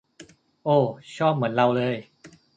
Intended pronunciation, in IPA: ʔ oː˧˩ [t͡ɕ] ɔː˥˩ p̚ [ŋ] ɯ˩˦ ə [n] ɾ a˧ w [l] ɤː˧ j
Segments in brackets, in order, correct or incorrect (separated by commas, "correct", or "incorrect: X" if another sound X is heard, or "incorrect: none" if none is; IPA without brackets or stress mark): incorrect: t͡ɕʰ, incorrect: m, correct, correct